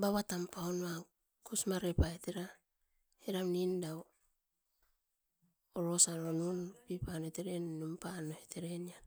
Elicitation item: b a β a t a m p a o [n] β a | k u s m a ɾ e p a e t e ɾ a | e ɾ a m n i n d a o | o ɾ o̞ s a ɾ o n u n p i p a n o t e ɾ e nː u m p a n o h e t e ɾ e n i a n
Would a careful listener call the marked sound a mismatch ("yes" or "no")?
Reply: no